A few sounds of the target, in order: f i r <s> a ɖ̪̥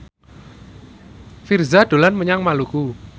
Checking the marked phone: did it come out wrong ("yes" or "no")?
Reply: yes